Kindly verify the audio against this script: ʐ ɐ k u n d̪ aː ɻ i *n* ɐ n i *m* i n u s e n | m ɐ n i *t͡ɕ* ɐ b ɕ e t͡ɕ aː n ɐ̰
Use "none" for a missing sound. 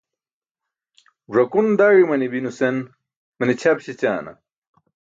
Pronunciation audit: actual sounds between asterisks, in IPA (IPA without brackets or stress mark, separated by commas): m, b, t͡ɕʰ